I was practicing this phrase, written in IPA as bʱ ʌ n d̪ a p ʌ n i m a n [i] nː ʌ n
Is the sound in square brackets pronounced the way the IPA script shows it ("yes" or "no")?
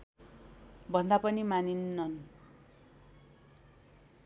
yes